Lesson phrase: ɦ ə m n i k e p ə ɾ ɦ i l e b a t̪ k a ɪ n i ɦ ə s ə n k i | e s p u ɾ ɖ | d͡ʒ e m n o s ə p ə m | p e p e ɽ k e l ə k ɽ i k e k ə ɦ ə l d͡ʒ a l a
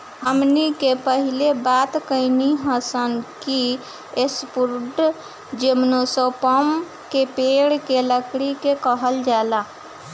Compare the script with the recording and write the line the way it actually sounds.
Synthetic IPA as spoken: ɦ ə m n i k e p ə ɦ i l e b a t̪ k ə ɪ n i ɦ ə s ə n k i | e s p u ɾ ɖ | d͡ʒ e m n o s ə p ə m | k e p e ɽ k e l ə k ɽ i k e k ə ɦ ə l d͡ʒ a l a